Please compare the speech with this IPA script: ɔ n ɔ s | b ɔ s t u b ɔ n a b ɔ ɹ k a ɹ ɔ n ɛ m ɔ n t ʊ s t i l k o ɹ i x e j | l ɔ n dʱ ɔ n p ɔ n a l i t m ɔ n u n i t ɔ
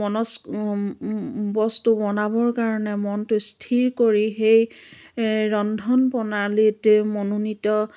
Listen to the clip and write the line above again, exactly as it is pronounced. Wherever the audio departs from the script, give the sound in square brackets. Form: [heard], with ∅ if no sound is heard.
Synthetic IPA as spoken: ɔ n ɔ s | b ɔ s t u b ɔ n a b ɔ ɹ k a ɹ ɔ n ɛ m ɔ n t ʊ s [tʰ] i [ɹ] k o ɹ i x e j | [ɹ] ɔ n dʱ ɔ n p ɔ n a l i t m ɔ n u n i t ɔ